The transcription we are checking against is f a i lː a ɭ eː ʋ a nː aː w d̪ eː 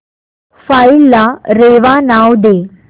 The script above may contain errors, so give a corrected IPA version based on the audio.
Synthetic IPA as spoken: f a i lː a ɾ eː ʋ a n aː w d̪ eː